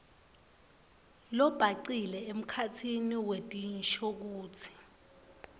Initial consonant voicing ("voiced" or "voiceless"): voiced